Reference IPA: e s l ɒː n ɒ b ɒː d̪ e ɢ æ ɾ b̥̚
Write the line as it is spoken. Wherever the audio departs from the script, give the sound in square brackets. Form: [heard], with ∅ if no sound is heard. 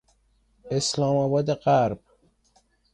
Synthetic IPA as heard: e s l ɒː [m] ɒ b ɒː d̪ e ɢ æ ɾ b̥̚